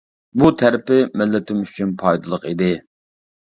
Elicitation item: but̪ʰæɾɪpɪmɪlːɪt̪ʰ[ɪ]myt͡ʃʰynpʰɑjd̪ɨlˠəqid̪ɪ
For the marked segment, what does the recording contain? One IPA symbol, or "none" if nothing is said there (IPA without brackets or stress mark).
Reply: ɪ